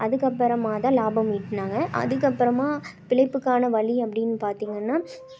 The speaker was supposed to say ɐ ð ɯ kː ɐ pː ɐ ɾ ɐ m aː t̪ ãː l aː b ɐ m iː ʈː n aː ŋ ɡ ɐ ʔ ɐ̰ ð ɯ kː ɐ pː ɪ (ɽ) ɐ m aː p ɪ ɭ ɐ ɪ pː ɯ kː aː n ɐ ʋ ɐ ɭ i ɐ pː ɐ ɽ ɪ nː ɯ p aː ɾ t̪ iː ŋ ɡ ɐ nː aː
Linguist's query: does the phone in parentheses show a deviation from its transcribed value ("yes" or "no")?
yes